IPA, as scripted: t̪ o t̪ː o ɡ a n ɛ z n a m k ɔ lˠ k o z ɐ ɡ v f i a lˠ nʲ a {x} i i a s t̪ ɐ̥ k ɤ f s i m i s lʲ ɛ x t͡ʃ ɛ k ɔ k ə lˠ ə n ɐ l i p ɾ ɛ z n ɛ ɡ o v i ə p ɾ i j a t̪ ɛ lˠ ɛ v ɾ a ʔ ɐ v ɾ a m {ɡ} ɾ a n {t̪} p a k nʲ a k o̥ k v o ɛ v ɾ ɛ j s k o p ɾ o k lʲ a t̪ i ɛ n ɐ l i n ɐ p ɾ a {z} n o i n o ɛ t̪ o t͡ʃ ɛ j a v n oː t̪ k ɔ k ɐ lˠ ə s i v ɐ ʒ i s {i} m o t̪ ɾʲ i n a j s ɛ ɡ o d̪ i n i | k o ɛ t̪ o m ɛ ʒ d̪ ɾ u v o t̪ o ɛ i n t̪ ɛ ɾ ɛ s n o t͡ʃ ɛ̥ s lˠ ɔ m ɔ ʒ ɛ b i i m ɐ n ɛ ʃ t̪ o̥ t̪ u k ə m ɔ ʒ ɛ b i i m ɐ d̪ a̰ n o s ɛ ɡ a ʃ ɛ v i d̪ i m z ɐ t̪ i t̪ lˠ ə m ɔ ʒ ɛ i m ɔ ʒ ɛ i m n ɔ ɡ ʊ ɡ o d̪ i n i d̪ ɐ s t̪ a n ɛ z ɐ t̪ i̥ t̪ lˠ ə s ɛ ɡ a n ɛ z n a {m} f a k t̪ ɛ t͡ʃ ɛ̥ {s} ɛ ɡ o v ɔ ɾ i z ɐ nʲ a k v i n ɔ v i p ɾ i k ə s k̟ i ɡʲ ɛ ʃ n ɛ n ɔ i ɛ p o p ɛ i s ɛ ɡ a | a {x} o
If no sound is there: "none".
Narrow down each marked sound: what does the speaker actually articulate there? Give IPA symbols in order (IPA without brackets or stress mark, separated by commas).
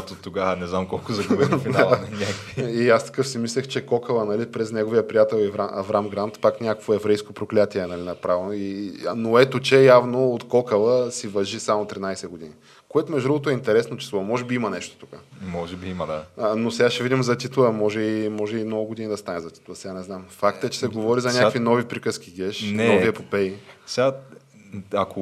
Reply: k, ɡ, t̪, v, a, m, s, k